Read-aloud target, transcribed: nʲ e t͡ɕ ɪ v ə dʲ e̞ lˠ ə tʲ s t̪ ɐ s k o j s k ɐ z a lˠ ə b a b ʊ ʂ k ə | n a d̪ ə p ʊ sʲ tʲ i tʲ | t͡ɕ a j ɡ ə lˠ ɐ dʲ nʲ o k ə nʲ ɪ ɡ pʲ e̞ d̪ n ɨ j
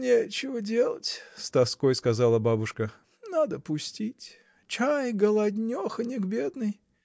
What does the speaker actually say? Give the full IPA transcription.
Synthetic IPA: nʲ e t͡ɕ ɪ v ə dʲ e̞ lˠ ə tʲ s t̪ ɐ s k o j s k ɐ z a lˠ ə b a b ʊ ʂ k ə | n a d̪ ə p ʊ sʲ tʲ i tʲ | t͡ɕ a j ɡ ə lˠ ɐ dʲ nʲ o x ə nʲ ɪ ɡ bʲ e̞ d̪ n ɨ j

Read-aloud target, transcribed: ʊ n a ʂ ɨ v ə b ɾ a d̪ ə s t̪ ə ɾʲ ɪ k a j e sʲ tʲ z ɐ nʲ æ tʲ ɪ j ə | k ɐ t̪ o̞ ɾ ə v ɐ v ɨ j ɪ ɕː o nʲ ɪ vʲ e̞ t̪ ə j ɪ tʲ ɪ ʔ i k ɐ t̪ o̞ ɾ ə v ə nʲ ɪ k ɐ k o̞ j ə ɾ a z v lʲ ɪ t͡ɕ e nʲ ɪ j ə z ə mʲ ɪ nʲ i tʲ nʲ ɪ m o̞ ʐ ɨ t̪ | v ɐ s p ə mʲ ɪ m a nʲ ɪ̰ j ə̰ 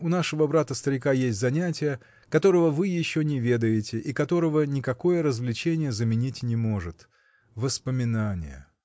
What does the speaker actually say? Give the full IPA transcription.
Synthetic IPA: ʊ n a ʂ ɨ v ə b ɾ a t̪ ə s t̪ ə ɾʲ ɪ k a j e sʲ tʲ z ɐ nʲ æ tʲ ɪ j ə | k ɐ t̪ o̞ ɾ ə v ə v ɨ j ɪ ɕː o nʲ ɪ vʲ e̞ d̪ ə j ɪ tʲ ɪ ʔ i k ɐ t̪ o̞ ɾ ə v ə nʲ ɪ k ɐ k o̞ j ə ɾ ə z v lʲ ɪ t͡ɕ e nʲ ɪ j ə z ə mʲ ɪ nʲ i tʲ nʲ ɪ m o̞ ʐ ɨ t̪ | v ə s p ə mʲ ɪ n a nʲ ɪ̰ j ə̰

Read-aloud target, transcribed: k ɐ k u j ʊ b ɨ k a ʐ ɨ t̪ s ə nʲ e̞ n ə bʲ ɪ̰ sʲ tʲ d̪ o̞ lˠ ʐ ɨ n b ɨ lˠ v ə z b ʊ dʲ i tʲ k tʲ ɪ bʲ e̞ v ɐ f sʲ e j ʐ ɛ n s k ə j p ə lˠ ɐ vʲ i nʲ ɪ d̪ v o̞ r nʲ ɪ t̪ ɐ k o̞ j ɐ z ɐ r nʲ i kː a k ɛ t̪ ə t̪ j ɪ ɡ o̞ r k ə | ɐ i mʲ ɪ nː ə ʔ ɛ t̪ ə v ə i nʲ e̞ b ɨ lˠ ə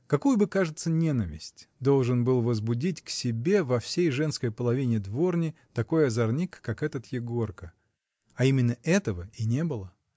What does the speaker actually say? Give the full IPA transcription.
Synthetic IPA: k ɐ k u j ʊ b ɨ k a ʐ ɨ t̪ s ə nʲ e̞ n ə vʲ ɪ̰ sʲ tʲ d̪ o̞ lˠ ʐ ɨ n b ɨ lˠ v ə z b ʊ dʲ i tʲ k sʲ ɪ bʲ e̞ v ɐ f sʲ e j ʐ ɛ n s k ə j p ə lˠ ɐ vʲ i nʲ ɪ d̪ v o̞ r nʲ ɪ t̪ ɐ k o̞ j ɐ z ɐ r nʲ i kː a k ɛ t̪ ə t̪ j ɪ ɡ o̞ r k ə | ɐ i mʲ ɪ nː ə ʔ ɛ t̪ ə v ə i nʲ e̞ b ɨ lˠ ə

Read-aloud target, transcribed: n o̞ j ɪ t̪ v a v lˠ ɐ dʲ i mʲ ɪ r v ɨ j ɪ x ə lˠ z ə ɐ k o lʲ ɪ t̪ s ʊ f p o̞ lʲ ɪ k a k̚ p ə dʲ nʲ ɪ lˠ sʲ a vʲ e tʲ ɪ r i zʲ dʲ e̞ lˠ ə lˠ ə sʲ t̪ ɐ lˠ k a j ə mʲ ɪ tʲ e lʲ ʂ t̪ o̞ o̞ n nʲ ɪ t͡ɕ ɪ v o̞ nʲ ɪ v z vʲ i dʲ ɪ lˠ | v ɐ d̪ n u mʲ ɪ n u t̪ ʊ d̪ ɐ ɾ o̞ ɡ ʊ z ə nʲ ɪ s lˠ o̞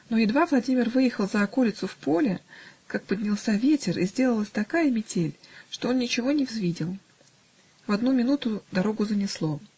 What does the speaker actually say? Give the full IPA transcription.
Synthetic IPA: n o̞ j ɪ d̪ v a v lˠ ɐ dʲ i mʲ ɪ r v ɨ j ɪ x ə lˠ z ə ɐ k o lʲ ɪ t̪ s ʊ f p o̞ lʲ ɪ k a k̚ p ə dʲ nʲ ɪ lˠ sʲ a vʲ e tʲ ɪ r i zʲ dʲ e̞ lˠ ə lˠ ə sʲ t̪ ɐ k a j ə mʲ ɪ tʲ e lʲ ʂ t̪ o̞ o̞ n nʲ ɪ t͡ɕ ɪ v o̞ nʲ ɪ v z vʲ i dʲ ɪ lˠ | v ɐ d̪ n u mʲ ɪ n u t̪ ʊ d̪ ɐ ɾ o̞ ɡ ʊ z ə nʲ ɪ s lˠ o̞

